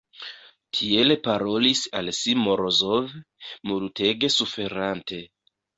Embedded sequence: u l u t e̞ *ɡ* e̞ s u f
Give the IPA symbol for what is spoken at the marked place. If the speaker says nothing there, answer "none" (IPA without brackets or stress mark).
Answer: ɡ